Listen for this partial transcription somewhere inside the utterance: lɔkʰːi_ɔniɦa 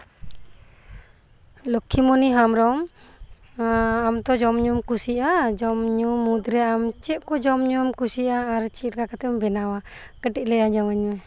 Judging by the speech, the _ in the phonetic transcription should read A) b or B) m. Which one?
B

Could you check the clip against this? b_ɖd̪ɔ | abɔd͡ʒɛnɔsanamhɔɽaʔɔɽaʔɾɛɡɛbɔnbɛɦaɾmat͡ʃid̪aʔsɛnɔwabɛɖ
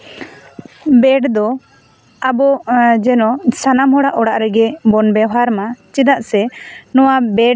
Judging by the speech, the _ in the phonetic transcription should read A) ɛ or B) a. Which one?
A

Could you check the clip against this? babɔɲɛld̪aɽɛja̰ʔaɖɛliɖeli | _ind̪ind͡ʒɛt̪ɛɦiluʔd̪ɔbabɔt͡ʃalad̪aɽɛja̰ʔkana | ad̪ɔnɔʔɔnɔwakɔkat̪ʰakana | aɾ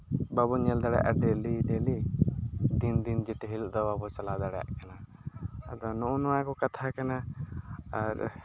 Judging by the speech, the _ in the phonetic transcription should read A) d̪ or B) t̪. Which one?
A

